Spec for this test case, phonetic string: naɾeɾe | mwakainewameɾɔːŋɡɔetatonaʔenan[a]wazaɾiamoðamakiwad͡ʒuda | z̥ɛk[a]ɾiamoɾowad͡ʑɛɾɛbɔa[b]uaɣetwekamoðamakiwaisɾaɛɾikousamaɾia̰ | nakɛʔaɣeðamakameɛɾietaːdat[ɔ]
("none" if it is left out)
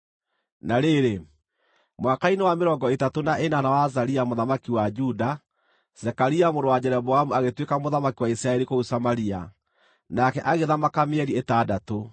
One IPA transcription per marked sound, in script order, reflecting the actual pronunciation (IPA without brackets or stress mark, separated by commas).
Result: a, a, m, o